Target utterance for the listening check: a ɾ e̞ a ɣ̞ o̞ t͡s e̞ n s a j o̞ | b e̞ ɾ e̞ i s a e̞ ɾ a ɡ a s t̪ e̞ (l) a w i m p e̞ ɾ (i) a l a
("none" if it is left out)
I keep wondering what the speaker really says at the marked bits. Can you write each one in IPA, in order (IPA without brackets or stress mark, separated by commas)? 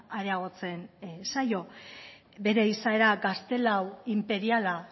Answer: l, i